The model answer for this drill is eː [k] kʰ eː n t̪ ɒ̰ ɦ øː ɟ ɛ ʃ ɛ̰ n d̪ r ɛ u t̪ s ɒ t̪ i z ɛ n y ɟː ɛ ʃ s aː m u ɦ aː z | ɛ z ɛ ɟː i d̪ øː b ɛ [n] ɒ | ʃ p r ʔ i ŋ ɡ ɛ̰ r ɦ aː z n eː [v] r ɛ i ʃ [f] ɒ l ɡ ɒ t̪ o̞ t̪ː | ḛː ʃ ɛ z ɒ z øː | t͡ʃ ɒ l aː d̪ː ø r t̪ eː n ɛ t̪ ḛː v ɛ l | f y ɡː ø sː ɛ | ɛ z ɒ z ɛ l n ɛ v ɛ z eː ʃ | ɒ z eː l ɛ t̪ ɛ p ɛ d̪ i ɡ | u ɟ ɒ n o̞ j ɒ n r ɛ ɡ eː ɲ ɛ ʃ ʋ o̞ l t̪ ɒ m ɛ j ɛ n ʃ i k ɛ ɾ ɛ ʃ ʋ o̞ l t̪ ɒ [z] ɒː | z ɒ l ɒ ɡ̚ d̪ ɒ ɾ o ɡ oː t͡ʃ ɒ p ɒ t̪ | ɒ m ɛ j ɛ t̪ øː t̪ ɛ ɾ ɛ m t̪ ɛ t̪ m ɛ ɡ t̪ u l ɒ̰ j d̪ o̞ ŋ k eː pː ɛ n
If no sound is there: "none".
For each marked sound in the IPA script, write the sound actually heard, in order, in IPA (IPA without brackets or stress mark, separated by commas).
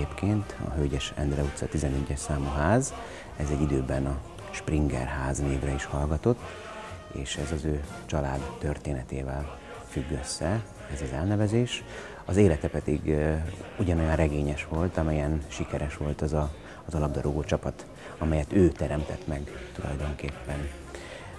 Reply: p, n, v, h, z